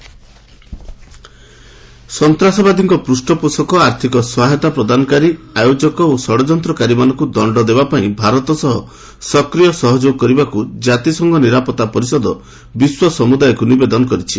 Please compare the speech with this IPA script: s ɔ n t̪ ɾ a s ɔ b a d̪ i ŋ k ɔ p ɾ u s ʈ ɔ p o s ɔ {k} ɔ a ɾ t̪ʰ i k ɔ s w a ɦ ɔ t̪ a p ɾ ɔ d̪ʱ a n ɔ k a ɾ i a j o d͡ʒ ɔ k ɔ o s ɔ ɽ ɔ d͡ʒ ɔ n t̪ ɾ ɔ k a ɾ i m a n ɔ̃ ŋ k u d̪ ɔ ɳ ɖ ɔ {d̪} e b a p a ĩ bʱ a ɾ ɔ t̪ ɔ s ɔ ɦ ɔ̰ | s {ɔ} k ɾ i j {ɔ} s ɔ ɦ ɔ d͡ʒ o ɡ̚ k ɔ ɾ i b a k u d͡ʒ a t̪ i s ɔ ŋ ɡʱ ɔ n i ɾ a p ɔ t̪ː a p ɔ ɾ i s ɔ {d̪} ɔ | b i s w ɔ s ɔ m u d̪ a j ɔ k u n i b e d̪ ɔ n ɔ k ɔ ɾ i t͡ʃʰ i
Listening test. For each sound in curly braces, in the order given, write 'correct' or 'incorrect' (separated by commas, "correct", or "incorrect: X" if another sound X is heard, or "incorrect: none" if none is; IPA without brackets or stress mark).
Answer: correct, correct, correct, correct, correct